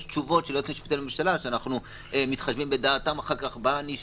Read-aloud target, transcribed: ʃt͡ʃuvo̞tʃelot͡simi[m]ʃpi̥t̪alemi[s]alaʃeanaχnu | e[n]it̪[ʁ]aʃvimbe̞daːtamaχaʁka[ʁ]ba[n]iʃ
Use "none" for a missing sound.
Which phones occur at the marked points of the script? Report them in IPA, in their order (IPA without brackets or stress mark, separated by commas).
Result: none, ʃ, m, χ, χ, n